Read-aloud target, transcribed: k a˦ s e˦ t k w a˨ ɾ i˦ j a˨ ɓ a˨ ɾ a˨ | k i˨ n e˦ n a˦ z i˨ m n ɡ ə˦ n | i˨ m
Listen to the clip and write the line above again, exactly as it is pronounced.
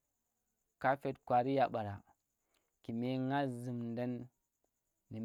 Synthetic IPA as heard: k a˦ f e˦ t k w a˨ ɾ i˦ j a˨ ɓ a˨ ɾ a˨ | k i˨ m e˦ ŋ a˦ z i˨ m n d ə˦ n | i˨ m